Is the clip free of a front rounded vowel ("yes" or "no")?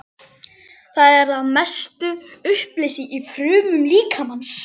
no